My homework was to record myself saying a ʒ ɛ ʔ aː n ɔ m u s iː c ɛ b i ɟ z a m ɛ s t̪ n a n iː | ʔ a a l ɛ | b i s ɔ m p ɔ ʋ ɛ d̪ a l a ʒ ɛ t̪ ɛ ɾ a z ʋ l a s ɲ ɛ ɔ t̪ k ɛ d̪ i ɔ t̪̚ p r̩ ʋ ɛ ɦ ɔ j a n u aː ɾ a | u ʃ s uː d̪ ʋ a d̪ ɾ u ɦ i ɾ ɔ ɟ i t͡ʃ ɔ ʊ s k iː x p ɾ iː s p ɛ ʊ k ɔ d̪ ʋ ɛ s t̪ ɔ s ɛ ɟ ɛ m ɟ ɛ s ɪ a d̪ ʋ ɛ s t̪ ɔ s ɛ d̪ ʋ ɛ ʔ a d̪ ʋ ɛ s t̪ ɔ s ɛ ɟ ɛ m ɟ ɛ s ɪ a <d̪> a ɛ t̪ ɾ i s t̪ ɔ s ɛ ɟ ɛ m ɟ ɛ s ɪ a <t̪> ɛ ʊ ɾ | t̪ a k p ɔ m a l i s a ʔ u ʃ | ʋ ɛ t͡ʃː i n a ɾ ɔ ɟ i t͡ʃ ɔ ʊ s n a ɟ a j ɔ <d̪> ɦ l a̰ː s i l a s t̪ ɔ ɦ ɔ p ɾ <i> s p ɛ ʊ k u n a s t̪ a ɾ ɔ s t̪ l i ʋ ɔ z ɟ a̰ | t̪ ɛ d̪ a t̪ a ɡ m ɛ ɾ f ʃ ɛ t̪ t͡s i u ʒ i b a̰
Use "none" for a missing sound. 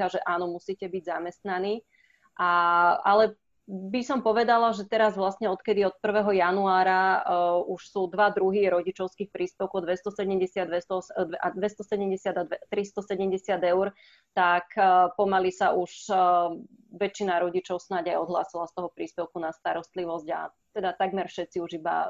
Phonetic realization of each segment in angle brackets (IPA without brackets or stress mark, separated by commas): d̪, d̪, d̪, iː